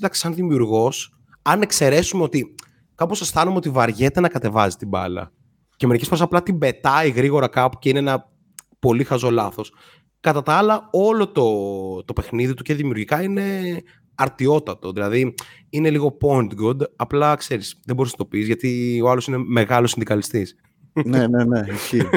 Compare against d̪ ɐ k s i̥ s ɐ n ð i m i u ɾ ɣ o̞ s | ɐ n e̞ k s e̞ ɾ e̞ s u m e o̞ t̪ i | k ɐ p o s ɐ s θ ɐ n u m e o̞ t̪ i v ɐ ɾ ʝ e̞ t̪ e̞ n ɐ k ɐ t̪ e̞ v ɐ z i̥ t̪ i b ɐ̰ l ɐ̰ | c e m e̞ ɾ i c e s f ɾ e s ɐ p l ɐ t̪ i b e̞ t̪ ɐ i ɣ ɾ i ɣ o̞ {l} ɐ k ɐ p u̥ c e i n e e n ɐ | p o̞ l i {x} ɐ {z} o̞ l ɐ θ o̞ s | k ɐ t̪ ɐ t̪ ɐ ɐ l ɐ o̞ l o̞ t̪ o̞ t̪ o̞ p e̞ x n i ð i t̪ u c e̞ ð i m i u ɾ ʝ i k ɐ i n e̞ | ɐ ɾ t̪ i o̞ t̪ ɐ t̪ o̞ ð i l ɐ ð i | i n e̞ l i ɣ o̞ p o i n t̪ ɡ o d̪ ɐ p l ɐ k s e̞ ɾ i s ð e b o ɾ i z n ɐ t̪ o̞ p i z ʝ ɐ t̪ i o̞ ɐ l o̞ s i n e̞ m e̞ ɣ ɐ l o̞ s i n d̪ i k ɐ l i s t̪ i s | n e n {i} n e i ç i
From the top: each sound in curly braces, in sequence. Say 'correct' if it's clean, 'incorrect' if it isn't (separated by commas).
incorrect, correct, correct, incorrect